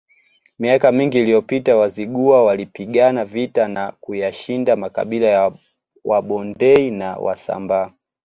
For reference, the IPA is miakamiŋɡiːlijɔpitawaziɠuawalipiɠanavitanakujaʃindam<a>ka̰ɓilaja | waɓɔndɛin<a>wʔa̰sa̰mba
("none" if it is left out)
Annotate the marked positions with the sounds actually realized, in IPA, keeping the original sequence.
a, a

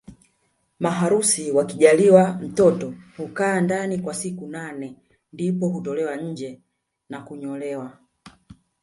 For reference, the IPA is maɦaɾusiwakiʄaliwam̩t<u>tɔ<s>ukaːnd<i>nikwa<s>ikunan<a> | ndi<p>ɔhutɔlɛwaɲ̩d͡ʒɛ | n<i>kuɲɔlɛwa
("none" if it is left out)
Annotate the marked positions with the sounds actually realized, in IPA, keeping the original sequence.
ɔ, h, a, s, ɛ, p, a

